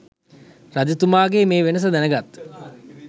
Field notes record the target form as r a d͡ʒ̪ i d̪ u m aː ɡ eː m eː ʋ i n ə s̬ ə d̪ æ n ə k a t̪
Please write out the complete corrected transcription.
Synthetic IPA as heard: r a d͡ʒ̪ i t̪ u m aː ɡ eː m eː ʋ e n ə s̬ ə d̪ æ n ə ɡ a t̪